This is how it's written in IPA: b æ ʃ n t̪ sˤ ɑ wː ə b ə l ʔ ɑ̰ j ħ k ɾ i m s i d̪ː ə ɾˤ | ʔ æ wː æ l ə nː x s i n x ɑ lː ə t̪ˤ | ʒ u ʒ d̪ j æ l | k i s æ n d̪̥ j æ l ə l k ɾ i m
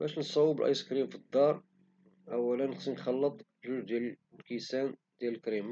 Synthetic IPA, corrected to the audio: b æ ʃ n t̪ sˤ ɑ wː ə b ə l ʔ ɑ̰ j s k ɾ i m f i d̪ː ɑ ɾˤ | ʔ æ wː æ l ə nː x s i n x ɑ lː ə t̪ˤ | ʒ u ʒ d̪ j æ l | k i s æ n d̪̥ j æ l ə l k ɾ i m